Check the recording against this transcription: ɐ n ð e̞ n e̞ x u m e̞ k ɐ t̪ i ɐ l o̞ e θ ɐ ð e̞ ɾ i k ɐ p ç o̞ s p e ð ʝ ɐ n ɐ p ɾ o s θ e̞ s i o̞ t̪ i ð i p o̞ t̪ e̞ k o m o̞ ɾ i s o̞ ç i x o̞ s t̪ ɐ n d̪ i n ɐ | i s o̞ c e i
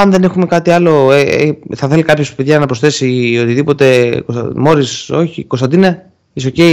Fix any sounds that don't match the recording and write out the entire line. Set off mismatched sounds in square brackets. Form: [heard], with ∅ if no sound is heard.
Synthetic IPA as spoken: ɐ n ð e̞ n e̞ x u m e̞ k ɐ t̪ i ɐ l o̞ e θ ɐ [θ] e̞ [l] i k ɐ p ç o̞ s p e ð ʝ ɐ n ɐ p ɾ o s θ e̞ s i o̞ t̪ i ð i p o̞ t̪ e̞ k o m o̞ ɾ i s o̞ ç i [k] o̞ s t̪ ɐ n d̪ i n ɐ | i s o̞ c e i